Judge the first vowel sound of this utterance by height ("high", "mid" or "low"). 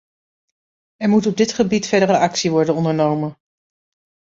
mid